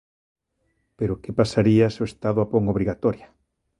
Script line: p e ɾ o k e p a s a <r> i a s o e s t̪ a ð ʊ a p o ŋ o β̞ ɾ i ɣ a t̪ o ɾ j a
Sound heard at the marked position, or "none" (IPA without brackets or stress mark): ɾ